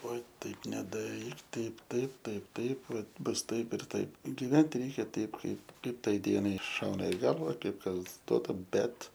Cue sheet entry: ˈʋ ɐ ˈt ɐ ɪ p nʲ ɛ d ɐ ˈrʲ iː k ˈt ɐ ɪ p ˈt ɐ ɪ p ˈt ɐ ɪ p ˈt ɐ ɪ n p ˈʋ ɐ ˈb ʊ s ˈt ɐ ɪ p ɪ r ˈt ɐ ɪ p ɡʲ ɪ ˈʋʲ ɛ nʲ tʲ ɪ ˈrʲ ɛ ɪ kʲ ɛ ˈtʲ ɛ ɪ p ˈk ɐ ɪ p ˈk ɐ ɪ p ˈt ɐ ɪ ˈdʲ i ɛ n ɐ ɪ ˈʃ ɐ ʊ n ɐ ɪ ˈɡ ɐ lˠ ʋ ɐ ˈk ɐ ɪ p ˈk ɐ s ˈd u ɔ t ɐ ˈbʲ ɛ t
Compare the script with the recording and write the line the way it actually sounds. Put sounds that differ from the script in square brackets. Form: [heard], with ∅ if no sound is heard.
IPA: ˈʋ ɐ ˈt ɐ ɪ p nʲ ɛ d ɐ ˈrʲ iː k ˈt ɐ ɪ p ˈt ɐ ɪ p ˈt ɐ ɪ p ˈt ɐ ɪ [∅] p ˈʋ ɐ ˈb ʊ s ˈt ɐ ɪ p ɪ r ˈt ɐ ɪ p ɡʲ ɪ ˈʋʲ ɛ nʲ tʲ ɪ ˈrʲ ɛ ɪ kʲ ɛ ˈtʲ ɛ ɪ p ˈk ɐ ɪ p ˈk ɐ ɪ p ˈt ɐ ɪ ˈdʲ i ɛ n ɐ ɪ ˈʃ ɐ ʊ n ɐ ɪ ˈɡ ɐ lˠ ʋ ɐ ˈk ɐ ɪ p ˈk ɐ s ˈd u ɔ t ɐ ˈbʲ ɛ t

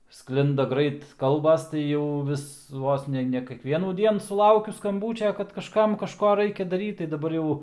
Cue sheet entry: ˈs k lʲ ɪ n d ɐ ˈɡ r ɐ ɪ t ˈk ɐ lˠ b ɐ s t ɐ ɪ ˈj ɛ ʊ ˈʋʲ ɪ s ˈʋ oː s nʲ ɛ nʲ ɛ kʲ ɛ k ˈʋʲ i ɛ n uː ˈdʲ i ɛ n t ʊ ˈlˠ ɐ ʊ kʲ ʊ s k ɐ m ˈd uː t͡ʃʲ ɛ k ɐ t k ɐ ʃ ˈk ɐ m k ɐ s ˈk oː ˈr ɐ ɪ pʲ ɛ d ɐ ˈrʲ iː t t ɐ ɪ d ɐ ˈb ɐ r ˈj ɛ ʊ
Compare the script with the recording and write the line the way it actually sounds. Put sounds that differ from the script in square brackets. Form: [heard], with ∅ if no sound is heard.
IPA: ˈs k lʲ ɪ n d ɐ ˈɡ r ɐ ɪ t ˈk ɐ lˠ b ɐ s t ɐ ɪ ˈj ɛ ʊ ˈʋʲ ɪ s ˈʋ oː s nʲ ɛ nʲ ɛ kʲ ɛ k ˈʋʲ i ɛ n uː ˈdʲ i ɛ n [s] ʊ ˈlˠ ɐ ʊ kʲ ʊ s k ɐ m [ˈb] uː t͡ʃʲ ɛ k ɐ t k ɐ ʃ ˈk ɐ m k ɐ [ʃ] ˈk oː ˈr ɐ ɪ [kʲ] ɛ d ɐ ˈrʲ iː t t ɐ ɪ d ɐ ˈb ɐ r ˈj ɛ ʊ

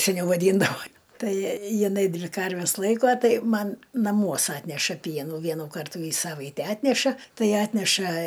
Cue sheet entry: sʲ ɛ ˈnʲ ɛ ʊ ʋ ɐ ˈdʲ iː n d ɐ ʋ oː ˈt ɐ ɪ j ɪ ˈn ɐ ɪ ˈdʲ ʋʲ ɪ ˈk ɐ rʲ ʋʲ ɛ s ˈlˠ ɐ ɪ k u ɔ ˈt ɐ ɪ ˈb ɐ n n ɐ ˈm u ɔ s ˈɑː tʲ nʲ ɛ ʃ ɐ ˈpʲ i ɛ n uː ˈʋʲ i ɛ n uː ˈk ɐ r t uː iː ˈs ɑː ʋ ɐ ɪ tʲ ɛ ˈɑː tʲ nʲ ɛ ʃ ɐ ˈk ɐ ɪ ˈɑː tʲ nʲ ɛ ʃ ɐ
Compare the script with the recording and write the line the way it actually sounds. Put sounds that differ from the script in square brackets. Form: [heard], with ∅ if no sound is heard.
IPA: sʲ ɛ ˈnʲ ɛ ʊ ʋ ɐ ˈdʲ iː n d ɐ ʋ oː ˈt ɐ ɪ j ɪ ˈn ɐ ɪ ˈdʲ ʋʲ ɪ ˈk ɐ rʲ ʋʲ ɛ s ˈlˠ ɐ ɪ k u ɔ ˈt ɐ ɪ [ˈm] ɐ n n ɐ ˈm u ɔ s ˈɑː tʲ nʲ ɛ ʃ ɐ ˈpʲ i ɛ n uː ˈʋʲ i ɛ n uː ˈk ɐ r t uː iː ˈs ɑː ʋ ɐ ɪ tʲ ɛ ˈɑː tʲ nʲ ɛ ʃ ɐ [ˈt] ɐ ɪ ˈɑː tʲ nʲ ɛ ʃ ɐ

